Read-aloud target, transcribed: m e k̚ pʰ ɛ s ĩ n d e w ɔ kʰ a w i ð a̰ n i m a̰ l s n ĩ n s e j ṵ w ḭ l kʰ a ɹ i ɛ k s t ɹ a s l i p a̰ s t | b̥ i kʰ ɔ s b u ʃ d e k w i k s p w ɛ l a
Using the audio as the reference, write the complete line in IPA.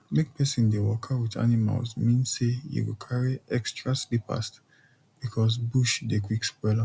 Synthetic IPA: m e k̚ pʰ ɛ s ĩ n d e w ɔ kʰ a w i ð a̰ n i m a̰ l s m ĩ n s e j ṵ w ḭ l kʰ a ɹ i ɛ k s t ɹ a s l i p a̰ s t | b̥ i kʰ ɔ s b u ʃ d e k w i k s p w ɛ l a